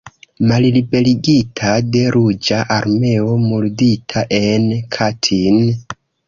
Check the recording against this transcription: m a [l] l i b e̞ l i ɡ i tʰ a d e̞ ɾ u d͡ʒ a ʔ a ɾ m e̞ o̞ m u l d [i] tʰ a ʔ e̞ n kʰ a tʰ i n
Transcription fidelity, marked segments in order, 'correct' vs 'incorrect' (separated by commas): correct, correct